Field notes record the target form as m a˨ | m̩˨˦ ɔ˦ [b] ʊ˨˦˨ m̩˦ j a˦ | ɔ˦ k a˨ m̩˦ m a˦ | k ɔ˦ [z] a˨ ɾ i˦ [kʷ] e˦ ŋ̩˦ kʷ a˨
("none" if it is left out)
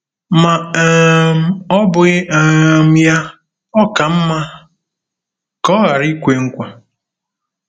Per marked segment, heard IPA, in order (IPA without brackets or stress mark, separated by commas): b, ɣ, kʷ